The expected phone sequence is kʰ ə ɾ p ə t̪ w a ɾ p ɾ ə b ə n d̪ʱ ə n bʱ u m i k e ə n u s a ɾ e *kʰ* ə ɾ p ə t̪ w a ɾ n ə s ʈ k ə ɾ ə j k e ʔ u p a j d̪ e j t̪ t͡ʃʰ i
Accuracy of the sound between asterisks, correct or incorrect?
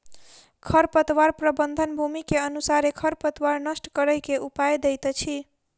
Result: correct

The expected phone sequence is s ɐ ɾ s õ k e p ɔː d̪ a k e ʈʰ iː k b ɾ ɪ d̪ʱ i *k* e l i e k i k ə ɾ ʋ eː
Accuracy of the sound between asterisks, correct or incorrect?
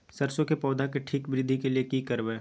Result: correct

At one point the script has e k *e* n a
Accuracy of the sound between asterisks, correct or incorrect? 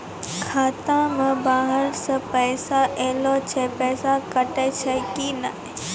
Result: incorrect: i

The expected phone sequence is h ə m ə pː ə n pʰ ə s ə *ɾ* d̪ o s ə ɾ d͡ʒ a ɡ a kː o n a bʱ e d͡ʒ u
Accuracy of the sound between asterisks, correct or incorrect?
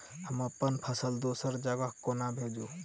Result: incorrect: l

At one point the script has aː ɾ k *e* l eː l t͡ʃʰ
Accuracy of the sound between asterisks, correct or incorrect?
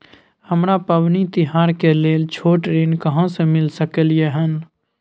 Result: correct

